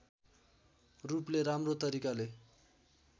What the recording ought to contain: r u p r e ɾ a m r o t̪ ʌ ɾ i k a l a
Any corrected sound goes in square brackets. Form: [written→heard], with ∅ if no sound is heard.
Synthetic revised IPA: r u p [r→l] e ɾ a m r o t̪ ʌ ɾ i k a l [a→e]